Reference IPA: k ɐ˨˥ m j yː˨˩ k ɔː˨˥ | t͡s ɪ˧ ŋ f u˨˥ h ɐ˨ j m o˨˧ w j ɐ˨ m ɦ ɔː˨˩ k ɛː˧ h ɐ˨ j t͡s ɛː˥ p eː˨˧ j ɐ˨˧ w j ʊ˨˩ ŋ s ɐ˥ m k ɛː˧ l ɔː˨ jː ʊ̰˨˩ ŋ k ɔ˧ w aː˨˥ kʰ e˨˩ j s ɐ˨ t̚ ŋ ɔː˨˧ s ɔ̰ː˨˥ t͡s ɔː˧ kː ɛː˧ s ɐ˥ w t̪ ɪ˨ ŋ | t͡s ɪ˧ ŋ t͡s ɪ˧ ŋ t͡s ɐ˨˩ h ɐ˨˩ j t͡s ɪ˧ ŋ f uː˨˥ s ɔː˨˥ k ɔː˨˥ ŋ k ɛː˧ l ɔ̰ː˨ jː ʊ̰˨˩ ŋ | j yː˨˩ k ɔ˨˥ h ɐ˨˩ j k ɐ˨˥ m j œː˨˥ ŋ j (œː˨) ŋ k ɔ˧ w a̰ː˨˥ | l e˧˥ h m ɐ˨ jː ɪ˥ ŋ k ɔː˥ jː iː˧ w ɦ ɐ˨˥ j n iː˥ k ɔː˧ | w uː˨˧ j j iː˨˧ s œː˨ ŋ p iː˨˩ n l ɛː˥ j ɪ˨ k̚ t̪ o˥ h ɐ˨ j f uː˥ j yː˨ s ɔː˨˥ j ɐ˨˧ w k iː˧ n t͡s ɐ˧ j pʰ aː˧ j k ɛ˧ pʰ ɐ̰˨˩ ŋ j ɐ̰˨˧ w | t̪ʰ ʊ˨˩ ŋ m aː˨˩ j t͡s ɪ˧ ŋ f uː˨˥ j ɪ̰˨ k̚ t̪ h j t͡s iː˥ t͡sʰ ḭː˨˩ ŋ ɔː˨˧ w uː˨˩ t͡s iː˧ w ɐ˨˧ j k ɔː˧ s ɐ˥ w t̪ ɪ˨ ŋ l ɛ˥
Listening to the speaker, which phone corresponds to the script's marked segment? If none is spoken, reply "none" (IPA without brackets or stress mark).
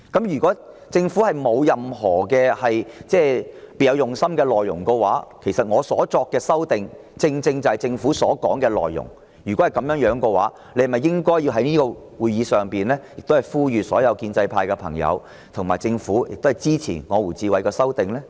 œː˨˥